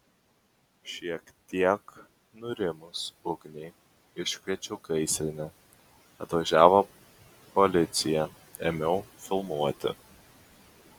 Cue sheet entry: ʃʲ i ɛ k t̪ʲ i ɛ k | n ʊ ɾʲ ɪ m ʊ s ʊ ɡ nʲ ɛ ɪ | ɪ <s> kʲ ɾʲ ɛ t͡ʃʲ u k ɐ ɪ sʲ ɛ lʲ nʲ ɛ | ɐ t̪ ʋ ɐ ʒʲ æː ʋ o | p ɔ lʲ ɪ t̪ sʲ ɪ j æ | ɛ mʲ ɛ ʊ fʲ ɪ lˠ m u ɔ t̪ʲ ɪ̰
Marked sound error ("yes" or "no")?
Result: yes